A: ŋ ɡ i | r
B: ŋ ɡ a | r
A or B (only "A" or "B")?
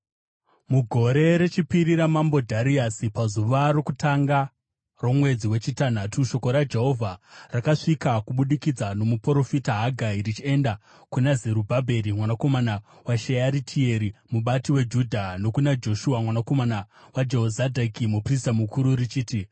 B